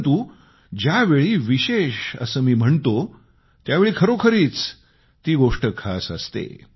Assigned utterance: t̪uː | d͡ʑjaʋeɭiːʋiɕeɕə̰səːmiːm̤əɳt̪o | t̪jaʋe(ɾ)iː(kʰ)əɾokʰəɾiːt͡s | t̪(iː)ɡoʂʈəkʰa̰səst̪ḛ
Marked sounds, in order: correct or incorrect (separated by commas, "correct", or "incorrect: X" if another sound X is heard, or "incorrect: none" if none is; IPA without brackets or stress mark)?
incorrect: ɭ, correct, correct